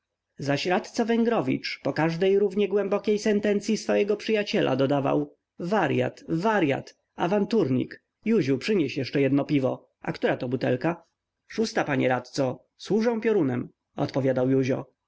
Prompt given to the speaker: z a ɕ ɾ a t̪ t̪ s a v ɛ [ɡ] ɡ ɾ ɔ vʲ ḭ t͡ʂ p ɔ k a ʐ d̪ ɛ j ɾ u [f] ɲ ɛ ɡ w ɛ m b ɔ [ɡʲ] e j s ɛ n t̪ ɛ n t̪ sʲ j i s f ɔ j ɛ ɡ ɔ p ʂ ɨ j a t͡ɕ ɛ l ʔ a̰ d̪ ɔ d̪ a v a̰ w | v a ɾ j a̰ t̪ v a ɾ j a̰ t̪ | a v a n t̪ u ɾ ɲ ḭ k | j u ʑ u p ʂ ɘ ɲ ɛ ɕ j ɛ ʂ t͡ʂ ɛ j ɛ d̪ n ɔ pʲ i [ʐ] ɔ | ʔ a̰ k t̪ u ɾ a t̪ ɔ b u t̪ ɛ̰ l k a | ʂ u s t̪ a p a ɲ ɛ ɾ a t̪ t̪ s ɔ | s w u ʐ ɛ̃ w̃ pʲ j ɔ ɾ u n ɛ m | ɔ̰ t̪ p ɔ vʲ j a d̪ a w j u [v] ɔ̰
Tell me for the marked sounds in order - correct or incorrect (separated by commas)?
incorrect, incorrect, incorrect, incorrect, incorrect